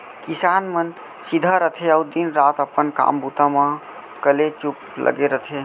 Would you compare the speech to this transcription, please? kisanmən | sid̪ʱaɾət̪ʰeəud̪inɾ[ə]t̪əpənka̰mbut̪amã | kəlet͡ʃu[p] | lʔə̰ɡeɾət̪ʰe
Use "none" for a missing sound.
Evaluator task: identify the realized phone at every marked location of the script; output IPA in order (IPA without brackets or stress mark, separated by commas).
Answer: a, p